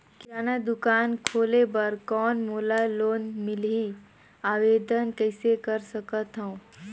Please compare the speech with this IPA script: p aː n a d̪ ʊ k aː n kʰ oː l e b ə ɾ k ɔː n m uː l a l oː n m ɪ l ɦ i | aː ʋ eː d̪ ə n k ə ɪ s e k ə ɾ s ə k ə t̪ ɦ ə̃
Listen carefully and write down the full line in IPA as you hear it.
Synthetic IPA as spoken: k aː n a d̪ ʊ k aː n kʰ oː l e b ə ɾ k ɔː n m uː l a l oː n m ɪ l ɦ i | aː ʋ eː d̪ ə n k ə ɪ s e k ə ɾ s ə k ə t̪ ɦ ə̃